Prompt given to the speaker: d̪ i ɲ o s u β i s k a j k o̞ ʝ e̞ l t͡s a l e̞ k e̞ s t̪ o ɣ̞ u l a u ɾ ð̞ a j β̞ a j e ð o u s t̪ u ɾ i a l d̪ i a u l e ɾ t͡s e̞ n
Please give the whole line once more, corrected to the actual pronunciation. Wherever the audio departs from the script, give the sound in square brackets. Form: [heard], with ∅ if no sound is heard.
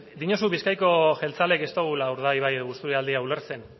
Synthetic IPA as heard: d̪ i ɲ o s u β i s k a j k o̞ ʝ e̞ l t͡s a l e̞ k e̞ s t̪ o ɣ̞ u l a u ɾ ð̞ a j β̞ a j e ð o u s t̪ u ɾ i a l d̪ i a u l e ɾ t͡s e̞ n